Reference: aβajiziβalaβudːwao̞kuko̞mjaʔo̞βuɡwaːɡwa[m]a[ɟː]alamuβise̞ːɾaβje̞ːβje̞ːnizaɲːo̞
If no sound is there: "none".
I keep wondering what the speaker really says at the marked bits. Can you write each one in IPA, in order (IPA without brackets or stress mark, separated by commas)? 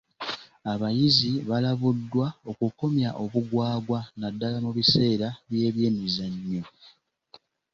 n, dː